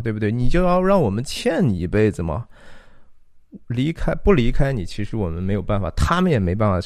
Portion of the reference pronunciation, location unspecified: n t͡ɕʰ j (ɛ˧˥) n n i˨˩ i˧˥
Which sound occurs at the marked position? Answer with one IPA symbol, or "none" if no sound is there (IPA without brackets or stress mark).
ɛ˥˩